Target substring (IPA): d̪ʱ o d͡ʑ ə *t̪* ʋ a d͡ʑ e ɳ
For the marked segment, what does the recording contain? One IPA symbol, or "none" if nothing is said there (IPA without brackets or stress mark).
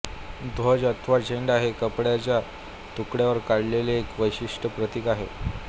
t̪ʰ